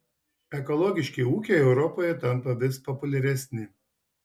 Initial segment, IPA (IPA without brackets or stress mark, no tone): ɛ